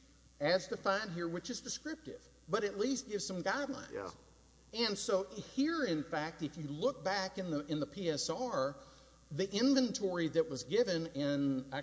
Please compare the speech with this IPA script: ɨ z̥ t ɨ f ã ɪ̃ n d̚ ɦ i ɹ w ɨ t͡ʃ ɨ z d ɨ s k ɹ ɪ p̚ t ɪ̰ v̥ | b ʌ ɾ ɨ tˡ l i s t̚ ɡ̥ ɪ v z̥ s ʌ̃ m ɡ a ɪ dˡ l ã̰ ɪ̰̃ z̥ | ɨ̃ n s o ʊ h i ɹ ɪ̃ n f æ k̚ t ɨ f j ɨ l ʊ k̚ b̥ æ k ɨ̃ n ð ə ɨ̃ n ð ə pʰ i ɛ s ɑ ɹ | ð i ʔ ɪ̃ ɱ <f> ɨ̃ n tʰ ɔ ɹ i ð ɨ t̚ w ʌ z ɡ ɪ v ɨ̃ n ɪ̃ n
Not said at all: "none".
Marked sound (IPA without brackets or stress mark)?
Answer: v